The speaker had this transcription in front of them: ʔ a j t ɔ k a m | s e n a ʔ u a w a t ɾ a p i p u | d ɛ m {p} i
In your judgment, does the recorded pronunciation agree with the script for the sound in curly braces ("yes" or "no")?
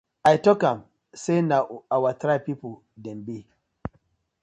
no